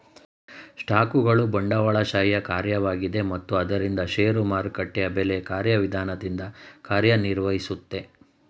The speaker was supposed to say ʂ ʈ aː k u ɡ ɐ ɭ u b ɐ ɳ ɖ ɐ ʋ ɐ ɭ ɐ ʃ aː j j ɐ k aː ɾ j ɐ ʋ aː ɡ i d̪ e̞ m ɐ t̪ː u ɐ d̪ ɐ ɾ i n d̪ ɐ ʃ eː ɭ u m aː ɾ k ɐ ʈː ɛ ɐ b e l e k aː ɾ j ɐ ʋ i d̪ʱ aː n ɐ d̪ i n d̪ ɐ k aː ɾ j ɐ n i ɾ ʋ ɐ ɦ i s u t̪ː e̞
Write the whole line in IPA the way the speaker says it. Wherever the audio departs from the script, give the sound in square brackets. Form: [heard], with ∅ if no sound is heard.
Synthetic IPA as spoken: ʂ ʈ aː k u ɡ ɐ ɭ u b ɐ ɳ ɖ ɐ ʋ ɐ ɭ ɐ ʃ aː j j ɐ k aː ɾ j ɐ ʋ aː ɡ i d̪ e̞ m ɐ t̪ː u ɐ d̪ ɐ ɾ i n d̪ ɐ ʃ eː [ɾ] u m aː ɾ k ɐ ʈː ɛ ɐ b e l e k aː ɾ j ɐ ʋ i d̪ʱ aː n ɐ d̪ i n d̪ ɐ k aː ɾ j ɐ n i ɾ ʋ ɐ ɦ i s u t̪ː e̞